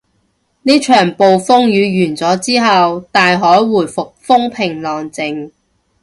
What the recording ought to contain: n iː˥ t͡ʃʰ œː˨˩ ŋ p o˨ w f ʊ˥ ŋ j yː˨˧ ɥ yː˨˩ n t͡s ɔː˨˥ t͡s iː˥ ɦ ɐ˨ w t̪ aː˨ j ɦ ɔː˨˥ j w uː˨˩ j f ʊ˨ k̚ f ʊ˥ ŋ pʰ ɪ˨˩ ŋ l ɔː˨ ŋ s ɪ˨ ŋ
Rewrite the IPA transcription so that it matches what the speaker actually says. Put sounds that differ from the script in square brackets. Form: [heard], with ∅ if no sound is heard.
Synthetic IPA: n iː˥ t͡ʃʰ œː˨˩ ŋ p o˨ w f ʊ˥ ŋ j yː˨˧ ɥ yː˨˩ n t͡s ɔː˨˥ t͡s iː˥ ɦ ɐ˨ w t̪ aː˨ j ɦ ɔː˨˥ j w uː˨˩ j f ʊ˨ k̚ f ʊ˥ ŋ pʰ ɪ˨˩ ŋ l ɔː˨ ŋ [t͡s] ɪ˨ ŋ